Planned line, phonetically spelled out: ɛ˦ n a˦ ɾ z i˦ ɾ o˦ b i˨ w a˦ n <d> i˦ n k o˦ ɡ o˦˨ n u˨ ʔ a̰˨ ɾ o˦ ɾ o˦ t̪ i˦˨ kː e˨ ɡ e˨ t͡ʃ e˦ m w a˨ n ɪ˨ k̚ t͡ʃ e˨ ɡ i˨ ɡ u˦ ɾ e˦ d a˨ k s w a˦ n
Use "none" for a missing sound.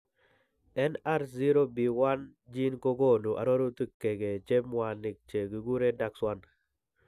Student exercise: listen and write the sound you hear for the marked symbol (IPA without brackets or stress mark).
d͡ʒ